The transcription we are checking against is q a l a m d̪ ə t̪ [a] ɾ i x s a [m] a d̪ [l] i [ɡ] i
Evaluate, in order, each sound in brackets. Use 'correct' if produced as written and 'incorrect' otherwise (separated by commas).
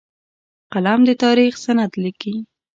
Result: incorrect, incorrect, correct, incorrect